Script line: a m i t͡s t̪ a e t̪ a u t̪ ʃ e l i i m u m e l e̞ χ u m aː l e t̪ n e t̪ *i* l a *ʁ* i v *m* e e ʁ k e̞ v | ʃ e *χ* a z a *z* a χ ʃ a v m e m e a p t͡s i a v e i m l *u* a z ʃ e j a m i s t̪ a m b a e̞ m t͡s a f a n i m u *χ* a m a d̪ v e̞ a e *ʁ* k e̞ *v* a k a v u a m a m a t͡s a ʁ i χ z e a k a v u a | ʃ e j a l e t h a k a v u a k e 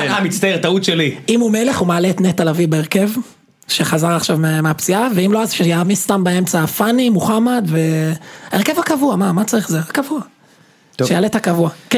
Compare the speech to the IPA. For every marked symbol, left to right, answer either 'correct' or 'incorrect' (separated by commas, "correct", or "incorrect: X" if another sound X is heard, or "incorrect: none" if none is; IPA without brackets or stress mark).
incorrect: a, incorrect: v, incorrect: b, correct, incorrect: ʁ, incorrect: o, correct, correct, correct